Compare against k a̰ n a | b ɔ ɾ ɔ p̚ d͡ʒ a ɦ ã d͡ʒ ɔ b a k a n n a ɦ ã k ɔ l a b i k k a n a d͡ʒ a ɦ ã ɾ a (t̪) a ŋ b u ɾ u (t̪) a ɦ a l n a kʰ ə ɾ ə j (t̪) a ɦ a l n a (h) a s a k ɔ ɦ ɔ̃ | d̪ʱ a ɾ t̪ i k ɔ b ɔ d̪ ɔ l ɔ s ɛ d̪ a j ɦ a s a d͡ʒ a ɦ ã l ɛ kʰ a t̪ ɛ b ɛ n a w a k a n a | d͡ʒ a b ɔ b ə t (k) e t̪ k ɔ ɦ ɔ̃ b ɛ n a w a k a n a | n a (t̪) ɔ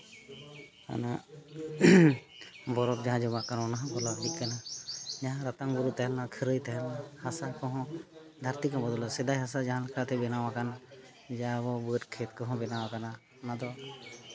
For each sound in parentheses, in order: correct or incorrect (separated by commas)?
correct, correct, correct, correct, incorrect, incorrect